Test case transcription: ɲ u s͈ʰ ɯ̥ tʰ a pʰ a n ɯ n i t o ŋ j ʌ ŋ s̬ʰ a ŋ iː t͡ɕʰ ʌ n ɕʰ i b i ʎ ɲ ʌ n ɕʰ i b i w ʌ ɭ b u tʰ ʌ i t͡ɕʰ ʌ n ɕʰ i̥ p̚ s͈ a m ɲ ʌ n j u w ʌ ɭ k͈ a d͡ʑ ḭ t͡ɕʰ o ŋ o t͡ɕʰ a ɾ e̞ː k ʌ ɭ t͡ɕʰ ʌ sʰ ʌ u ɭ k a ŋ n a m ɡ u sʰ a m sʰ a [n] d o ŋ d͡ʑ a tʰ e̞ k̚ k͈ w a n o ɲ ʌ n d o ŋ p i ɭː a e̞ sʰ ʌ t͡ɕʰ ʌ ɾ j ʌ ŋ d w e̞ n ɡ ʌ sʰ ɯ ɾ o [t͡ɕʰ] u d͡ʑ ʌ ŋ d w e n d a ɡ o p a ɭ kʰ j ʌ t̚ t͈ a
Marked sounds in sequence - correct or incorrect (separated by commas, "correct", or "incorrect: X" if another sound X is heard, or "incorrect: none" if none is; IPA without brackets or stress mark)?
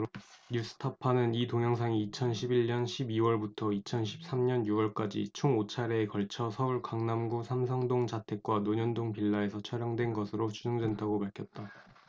incorrect: ŋ, incorrect: t͡ɕ